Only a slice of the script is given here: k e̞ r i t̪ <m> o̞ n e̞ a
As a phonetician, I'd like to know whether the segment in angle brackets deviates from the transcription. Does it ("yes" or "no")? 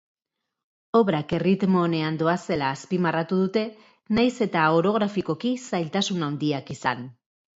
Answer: no